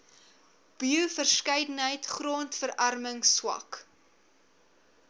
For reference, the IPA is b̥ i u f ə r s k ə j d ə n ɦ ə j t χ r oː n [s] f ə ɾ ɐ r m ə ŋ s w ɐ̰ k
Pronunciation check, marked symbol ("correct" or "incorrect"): incorrect